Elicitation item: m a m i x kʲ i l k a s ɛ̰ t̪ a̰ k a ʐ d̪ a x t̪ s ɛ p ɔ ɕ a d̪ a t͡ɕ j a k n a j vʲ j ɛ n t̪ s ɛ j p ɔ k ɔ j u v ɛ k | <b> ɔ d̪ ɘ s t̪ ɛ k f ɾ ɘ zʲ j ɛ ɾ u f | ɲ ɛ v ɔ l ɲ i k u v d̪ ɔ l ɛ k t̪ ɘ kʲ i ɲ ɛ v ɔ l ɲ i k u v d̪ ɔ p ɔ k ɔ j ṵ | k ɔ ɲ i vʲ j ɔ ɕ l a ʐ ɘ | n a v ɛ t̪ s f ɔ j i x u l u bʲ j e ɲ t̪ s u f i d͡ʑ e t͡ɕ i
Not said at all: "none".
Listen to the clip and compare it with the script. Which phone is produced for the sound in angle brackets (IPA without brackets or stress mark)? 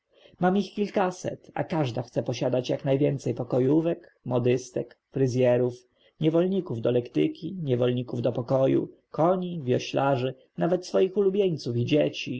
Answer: m